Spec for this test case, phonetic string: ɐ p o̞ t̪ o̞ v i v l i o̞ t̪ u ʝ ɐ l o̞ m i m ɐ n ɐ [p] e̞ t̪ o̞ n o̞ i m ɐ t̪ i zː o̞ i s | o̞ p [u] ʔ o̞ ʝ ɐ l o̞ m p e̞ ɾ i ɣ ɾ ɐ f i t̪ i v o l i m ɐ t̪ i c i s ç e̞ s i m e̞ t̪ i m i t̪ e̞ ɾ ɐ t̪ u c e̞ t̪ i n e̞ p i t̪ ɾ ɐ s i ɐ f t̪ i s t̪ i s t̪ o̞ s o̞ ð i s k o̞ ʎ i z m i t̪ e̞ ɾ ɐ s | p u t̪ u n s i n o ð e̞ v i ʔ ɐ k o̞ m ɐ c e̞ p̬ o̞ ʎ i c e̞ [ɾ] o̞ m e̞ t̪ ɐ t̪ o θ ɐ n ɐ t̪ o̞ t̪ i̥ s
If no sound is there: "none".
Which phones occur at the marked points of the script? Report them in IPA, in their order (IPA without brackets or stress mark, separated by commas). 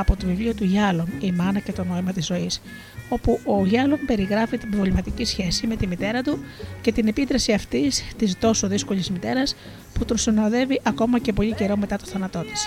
c, u, ɾ